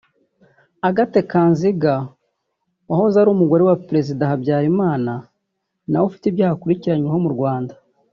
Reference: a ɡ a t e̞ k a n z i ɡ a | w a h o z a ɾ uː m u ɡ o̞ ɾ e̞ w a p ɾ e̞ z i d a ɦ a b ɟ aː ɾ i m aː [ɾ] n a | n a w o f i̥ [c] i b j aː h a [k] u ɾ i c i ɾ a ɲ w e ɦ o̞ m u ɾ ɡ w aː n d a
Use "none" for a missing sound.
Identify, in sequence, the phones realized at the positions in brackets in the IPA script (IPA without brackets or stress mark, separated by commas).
none, t, k